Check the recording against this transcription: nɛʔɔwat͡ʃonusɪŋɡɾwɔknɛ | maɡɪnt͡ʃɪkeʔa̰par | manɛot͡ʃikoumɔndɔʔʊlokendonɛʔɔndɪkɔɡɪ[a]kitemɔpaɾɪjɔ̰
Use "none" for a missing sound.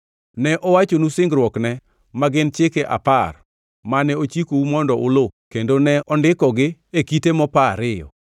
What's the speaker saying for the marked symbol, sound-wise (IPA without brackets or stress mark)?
e